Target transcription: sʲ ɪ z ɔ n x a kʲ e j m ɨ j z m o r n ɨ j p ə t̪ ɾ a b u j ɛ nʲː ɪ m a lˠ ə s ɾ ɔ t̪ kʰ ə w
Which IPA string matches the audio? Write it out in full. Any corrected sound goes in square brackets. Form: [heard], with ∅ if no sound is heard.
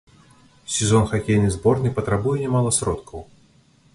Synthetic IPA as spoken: sʲ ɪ z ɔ n x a kʲ e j [n] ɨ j z [b] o r n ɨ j p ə t̪ ɾ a b u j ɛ [nʲ] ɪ m a lˠ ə s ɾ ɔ t̪ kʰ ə w